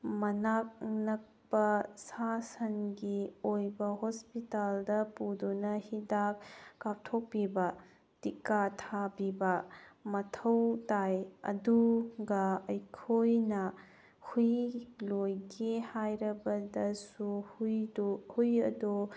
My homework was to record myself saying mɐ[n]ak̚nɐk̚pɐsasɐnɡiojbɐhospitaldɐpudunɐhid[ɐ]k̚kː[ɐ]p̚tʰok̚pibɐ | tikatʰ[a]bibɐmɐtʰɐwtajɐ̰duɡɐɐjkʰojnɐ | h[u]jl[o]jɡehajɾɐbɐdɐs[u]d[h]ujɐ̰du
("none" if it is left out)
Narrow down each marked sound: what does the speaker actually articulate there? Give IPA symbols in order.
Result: n, a, a, a, u, o, u, h

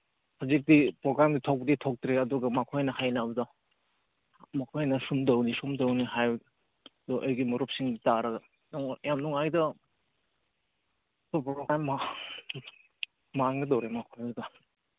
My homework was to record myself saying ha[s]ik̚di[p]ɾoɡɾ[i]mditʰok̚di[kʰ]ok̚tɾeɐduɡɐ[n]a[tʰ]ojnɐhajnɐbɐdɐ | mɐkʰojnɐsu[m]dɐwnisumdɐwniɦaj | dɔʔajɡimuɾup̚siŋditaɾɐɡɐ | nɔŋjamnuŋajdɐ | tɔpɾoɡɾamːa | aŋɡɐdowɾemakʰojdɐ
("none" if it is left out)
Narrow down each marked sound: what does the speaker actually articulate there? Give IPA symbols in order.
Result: z, p, a, tʰ, m, kʰ, m

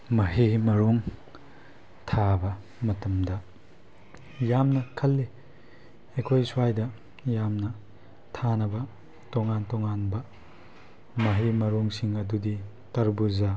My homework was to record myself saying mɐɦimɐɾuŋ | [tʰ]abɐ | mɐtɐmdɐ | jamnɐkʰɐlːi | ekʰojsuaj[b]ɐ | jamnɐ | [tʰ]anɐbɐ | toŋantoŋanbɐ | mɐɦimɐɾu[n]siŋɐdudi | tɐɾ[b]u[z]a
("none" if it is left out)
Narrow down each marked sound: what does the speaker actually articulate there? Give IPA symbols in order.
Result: tʰ, d, tʰ, ŋ, b, z

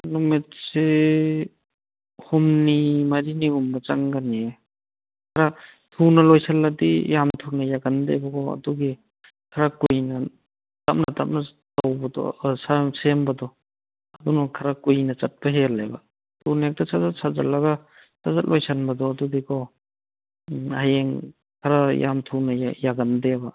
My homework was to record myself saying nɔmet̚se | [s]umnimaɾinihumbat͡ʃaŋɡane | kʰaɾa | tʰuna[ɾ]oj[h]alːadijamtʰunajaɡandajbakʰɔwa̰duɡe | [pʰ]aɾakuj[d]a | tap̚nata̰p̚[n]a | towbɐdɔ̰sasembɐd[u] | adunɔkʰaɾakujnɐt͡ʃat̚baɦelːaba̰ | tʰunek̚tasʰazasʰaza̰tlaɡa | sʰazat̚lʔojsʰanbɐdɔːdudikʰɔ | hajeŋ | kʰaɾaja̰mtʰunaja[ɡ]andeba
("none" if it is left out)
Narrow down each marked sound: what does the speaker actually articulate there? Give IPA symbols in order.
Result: h, l, s, kʰ, n, n, ɔ, ɡ

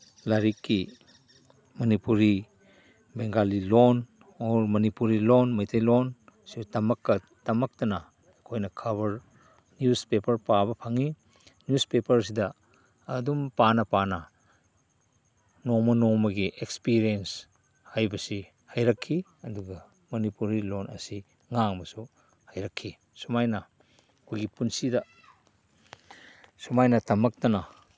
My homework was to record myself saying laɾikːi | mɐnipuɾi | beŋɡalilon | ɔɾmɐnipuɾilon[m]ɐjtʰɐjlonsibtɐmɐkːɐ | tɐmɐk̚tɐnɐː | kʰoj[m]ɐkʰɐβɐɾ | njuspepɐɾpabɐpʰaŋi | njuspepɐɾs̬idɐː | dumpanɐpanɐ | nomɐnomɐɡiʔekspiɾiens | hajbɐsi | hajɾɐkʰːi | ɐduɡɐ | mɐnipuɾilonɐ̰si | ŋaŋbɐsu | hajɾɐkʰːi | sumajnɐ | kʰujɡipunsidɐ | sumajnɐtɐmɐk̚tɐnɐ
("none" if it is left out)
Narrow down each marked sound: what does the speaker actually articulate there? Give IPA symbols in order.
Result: m, n

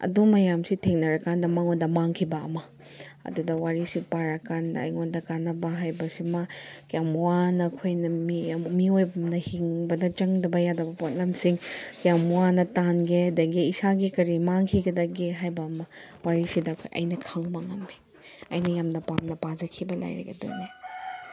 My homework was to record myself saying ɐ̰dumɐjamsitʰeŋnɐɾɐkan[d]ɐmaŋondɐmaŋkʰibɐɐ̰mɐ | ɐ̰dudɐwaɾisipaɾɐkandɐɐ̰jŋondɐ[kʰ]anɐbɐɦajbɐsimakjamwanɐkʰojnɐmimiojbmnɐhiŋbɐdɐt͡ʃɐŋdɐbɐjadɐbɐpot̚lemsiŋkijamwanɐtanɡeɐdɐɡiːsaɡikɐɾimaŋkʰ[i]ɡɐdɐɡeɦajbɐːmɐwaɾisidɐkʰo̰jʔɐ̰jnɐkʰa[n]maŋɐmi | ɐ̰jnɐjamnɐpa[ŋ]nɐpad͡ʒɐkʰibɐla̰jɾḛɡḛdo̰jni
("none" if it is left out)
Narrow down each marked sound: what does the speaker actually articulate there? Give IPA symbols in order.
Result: d, k, i, ŋ, m

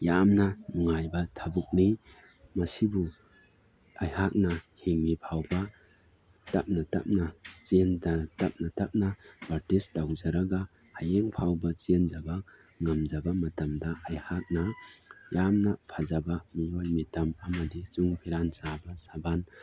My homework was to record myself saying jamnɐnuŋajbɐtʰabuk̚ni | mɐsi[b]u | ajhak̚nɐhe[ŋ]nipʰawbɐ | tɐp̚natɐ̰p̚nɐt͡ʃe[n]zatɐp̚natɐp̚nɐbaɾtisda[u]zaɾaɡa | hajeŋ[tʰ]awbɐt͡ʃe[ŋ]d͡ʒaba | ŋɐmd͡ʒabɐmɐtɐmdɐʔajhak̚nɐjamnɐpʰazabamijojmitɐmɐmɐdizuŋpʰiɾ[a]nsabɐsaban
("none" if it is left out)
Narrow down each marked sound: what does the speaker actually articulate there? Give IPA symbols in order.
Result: b, ŋ, n, w, pʰ, n, a

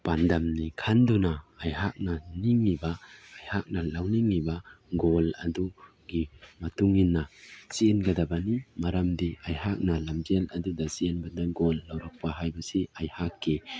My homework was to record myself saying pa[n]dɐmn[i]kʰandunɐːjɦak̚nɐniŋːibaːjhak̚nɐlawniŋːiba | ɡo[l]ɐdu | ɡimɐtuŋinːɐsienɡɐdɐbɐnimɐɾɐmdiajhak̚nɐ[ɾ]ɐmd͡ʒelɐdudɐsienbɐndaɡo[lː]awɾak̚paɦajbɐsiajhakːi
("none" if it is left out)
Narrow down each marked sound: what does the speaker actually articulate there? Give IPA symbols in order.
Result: n, i, l, l, lː

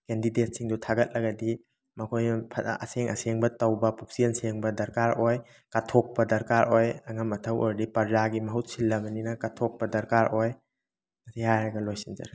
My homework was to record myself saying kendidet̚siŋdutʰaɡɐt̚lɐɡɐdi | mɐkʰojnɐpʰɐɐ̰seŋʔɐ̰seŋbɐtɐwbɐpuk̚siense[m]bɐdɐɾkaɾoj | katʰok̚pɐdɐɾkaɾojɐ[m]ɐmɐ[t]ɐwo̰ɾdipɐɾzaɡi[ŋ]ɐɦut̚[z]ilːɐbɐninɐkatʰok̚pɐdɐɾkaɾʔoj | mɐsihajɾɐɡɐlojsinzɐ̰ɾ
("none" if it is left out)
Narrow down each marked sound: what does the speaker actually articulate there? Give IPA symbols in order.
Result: ŋ, ŋ, tʰ, m, s

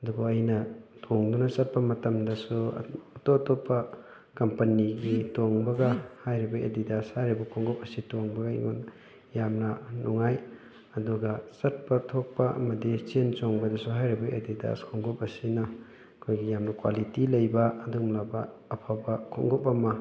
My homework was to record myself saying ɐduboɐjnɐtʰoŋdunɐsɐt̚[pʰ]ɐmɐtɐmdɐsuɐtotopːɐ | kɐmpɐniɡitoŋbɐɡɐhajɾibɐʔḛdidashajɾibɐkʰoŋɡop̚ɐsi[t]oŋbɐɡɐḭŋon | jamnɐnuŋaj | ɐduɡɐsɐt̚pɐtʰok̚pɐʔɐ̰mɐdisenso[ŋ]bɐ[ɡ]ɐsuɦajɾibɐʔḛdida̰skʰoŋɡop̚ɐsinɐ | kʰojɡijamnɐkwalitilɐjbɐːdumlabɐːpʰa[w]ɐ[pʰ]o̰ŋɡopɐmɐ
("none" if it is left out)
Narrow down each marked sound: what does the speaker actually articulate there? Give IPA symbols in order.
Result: p, t, ŋ, d, b, kʰ

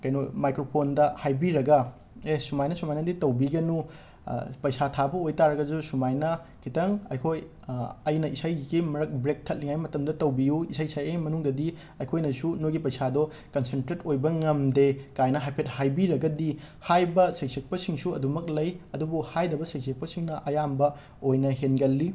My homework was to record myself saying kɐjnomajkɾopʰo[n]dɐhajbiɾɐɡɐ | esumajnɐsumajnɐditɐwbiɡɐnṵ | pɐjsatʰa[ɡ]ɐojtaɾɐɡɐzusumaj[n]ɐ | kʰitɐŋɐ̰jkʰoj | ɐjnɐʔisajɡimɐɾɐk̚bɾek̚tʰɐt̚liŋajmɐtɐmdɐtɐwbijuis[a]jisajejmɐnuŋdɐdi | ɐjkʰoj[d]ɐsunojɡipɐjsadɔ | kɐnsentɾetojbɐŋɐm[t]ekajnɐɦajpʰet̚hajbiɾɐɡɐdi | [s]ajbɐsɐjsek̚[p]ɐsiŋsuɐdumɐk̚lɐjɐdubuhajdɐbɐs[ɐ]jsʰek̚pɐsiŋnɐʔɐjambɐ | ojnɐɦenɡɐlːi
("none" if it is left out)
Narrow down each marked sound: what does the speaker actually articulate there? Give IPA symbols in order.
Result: n, b, n, a, n, d, h, p, ɐ

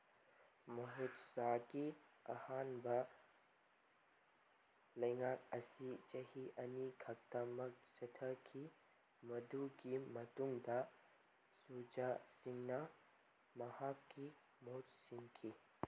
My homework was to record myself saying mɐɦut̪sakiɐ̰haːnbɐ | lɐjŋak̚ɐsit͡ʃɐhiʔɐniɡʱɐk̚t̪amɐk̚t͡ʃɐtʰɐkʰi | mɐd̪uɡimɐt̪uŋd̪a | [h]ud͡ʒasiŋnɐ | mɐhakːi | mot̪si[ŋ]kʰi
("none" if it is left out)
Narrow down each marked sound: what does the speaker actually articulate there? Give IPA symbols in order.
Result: s, ŋ

